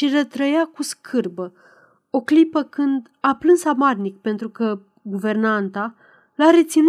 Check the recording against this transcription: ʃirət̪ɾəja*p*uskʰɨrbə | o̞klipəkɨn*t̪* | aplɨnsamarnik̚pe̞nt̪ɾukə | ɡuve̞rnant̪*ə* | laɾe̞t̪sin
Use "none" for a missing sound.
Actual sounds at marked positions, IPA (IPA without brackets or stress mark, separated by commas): k, d̪, a